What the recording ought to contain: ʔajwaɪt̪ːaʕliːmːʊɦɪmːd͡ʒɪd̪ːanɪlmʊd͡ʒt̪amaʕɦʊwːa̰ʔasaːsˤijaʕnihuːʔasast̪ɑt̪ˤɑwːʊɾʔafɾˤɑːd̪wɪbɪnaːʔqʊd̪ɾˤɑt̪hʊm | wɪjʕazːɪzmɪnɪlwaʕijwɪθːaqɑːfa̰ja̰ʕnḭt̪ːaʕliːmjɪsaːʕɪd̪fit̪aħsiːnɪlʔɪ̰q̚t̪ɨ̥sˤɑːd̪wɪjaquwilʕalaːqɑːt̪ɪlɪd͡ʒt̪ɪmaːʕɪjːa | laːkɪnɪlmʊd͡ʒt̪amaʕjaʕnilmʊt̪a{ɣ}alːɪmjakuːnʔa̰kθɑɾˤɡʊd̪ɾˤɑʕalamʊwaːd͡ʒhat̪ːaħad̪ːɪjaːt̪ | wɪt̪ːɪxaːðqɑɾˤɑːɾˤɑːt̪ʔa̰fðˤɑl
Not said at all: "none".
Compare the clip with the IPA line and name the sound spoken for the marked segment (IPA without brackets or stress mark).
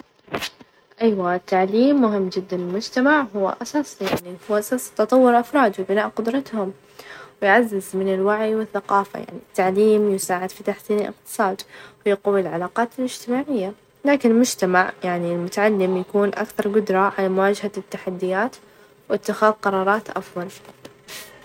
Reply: ʕ